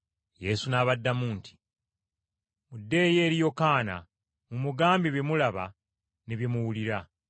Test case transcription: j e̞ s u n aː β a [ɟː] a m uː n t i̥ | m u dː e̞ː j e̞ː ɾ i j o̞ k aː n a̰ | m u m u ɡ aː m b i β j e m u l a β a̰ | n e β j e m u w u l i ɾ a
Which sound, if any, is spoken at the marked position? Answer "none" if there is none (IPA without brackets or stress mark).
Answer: dː